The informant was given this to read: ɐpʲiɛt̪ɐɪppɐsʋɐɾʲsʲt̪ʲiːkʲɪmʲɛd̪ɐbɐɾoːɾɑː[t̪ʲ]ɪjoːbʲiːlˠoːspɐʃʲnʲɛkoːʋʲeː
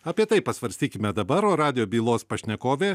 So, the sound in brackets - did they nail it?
no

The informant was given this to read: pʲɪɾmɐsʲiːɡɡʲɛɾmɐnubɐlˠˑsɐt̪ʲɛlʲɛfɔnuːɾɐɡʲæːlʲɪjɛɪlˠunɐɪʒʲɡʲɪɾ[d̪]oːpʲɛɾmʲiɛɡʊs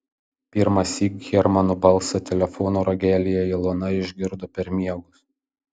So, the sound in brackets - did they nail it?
yes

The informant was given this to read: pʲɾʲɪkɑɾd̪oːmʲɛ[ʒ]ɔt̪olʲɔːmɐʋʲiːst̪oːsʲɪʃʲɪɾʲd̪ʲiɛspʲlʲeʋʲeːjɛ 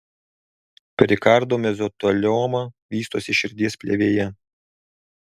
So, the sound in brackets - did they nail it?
no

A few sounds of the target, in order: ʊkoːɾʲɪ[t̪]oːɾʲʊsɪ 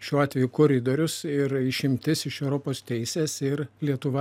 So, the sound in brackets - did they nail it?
no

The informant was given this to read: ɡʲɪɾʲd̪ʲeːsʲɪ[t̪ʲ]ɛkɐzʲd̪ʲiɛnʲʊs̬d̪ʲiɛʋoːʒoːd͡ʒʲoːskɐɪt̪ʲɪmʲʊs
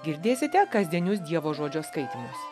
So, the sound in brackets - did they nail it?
yes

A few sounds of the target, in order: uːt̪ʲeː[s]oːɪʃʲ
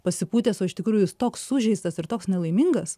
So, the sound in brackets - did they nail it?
yes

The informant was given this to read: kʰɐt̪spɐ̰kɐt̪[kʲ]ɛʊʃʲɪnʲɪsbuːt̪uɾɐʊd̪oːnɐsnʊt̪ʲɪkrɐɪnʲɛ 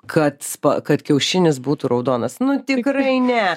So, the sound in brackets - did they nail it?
yes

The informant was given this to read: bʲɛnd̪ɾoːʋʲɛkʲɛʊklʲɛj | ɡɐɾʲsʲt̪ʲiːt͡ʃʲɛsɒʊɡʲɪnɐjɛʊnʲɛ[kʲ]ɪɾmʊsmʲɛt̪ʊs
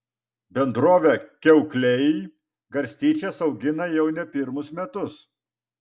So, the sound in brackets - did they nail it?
no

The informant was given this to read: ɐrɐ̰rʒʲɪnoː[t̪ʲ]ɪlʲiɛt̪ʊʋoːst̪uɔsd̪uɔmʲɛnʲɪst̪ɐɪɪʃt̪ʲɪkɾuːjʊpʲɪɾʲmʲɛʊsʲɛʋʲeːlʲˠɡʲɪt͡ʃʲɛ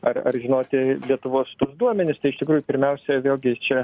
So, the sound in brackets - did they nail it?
yes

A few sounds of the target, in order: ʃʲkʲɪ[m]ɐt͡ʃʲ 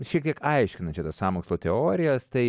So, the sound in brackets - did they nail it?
no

